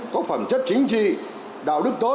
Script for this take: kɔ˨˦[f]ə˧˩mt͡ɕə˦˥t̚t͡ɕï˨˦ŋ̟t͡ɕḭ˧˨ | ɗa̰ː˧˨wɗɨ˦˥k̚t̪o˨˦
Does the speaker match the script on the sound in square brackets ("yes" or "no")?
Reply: yes